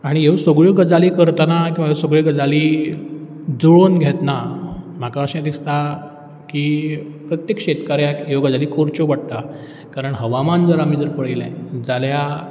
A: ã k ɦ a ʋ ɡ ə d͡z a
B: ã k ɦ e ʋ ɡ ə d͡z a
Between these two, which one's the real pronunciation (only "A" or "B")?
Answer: B